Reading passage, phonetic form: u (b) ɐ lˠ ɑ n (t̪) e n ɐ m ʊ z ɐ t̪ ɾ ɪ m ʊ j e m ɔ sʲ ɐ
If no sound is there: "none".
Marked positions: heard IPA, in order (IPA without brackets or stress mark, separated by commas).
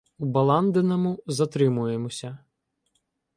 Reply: b, d̪